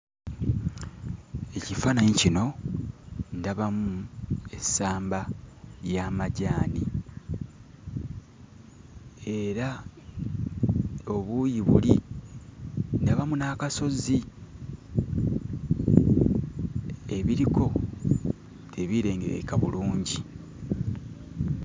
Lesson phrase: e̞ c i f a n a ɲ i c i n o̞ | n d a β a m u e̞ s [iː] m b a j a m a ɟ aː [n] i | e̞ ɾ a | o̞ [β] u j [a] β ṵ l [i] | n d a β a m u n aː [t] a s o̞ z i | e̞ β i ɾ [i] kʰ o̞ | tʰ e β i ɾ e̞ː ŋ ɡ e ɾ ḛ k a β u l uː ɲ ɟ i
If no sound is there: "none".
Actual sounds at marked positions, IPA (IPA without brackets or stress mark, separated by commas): aː, n, β, i, i, k, i